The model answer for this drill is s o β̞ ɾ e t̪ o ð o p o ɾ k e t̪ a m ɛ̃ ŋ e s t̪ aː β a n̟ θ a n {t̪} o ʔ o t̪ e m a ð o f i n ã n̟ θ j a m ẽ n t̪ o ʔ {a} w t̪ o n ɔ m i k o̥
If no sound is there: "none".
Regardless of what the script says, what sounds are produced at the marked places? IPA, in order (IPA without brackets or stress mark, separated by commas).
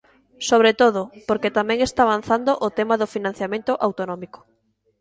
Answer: d̪, a